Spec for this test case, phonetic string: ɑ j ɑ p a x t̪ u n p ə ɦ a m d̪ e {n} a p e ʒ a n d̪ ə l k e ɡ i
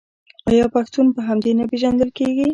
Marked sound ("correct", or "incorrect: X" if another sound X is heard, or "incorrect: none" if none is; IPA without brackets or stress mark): correct